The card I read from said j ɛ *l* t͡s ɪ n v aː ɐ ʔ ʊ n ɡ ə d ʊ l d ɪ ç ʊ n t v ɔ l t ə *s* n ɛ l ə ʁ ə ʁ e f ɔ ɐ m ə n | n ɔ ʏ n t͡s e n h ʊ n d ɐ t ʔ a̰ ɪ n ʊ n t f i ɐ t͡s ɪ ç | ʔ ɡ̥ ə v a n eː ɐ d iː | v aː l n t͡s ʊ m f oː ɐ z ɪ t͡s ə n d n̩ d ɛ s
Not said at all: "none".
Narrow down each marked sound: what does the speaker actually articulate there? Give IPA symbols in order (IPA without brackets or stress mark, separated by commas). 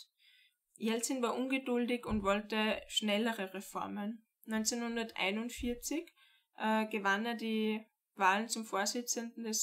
l, ʃ